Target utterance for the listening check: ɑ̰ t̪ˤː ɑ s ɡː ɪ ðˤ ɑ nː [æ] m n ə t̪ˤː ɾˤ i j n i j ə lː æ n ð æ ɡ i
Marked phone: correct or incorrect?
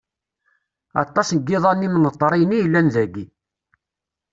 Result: incorrect